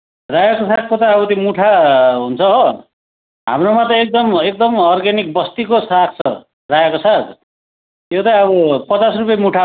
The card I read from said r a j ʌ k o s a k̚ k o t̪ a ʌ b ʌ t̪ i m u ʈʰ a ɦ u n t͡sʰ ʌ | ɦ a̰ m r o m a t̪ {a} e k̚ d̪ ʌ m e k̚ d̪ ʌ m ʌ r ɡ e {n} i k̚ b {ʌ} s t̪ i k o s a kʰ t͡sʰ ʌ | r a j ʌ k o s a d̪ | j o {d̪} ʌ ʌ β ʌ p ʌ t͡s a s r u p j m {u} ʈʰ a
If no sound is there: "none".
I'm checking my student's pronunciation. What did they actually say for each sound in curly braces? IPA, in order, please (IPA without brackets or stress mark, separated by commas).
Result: ʌ, n, ʌ, t̪, u